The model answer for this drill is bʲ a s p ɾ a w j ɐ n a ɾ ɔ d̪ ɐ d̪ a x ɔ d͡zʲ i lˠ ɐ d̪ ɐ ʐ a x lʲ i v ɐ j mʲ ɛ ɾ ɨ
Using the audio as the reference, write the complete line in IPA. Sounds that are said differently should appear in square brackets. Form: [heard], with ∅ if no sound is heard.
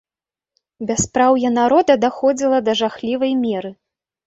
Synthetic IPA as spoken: bʲ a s p ɾ a w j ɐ n a ɾ ɔ d̪ ɐ d̪ a x ɔ d͡zʲ i lˠ ɐ d̪ ɐ ʐ a x lʲ i v ɐ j mʲ ɛ ɾ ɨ